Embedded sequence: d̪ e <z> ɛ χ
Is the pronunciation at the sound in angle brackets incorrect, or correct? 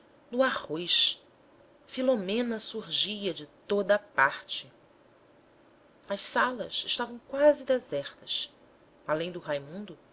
correct